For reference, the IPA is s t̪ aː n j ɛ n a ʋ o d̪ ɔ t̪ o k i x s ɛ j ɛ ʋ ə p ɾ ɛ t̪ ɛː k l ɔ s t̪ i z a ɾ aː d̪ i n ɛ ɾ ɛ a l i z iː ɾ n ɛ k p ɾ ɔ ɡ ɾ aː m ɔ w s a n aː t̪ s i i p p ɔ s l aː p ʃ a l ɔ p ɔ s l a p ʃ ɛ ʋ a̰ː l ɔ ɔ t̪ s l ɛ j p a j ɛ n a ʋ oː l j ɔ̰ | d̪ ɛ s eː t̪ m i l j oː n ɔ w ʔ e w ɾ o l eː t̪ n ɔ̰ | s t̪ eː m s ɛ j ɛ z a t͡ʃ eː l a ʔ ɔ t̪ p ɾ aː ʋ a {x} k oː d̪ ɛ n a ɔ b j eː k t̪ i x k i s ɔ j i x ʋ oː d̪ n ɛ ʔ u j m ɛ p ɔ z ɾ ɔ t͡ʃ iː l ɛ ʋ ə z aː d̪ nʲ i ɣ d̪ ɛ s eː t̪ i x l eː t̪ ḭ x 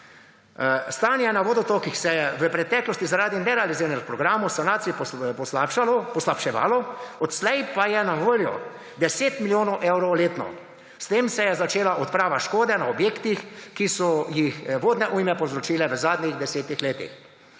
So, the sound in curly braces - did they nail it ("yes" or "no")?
no